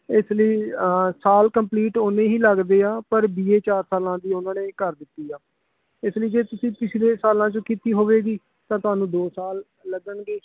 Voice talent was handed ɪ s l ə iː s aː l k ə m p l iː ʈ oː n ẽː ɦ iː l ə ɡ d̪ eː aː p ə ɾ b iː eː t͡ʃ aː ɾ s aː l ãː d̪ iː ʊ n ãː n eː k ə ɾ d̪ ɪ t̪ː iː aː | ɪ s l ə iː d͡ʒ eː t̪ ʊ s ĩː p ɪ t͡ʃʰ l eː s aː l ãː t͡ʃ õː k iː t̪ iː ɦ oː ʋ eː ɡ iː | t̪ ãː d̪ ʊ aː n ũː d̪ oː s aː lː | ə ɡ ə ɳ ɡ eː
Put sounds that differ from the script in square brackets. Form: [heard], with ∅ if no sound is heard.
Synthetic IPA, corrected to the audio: ɪ s l ə iː s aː l k ə m p l iː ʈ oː n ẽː ɦ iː l ə ɡ d̪ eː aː p ə ɾ b iː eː t͡ʃ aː ɾ s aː l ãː d̪ iː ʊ n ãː n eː k ə ɾ d̪ ɪ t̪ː iː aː | ɪ s l ə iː d͡ʒ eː t̪ ʊ s ĩː p ɪ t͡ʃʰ l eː s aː l ãː t͡ʃ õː k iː t̪ iː ɦ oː ʋ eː ɡ iː | t̪ ãː [t̪] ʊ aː n ũː d̪ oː s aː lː | ə ɡ ə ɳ ɡ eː